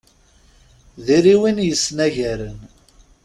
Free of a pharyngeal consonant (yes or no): yes